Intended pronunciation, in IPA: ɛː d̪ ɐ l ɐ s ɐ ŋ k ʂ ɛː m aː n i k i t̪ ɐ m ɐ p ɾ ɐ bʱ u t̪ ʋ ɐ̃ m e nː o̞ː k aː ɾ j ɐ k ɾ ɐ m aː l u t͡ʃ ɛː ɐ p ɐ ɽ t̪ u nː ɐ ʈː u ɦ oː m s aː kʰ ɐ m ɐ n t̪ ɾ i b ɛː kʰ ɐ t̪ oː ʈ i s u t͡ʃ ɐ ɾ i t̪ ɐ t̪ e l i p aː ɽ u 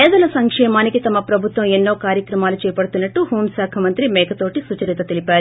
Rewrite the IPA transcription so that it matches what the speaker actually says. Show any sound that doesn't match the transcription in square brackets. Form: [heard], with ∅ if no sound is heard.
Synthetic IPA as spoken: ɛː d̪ ɐ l ɐ s ɐ ŋ k ʂ ɛː m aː n i k i t̪ ɐ m ɐ p ɾ ɐ bʱ u t̪ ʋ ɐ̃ m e nː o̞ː k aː ɾ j ɐ k ɾ ɐ m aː l u t͡ʃ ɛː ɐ p ɐ ɽ t̪ u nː ɐ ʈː u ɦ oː m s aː kʰ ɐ m ɐ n t̪ ɾ i [m] ɛː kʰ ɐ t̪ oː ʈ i s u t͡ʃ ɐ ɾ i t̪ ɐ t̪ e l i p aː [ɾ] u